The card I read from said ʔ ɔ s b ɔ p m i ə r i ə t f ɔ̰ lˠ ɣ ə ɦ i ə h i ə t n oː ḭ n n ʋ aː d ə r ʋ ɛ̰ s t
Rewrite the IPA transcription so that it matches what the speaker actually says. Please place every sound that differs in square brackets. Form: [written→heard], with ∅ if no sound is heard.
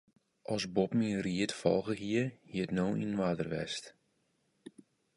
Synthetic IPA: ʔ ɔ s b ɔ p m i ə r i ə t f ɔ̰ lˠ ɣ ə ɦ i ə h i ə t n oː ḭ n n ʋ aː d ə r ʋ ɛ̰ s t